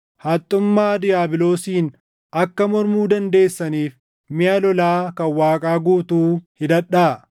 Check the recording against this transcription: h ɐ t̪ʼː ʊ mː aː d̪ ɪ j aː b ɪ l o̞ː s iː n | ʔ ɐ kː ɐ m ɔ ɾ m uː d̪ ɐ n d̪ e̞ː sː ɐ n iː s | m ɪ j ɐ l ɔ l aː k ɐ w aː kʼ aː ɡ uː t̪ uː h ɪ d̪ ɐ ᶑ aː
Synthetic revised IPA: h ɐ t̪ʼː ʊ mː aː d̪ ɪ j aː b ɪ l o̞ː s iː n | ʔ ɐ kː ɐ m ɔ ɾ m uː d̪ ɐ n d̪ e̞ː sː ɐ n iː f | m ɪ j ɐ l ɔ l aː k ɐ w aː kʼ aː ɡ uː t̪ uː h ɪ d̪ ɐ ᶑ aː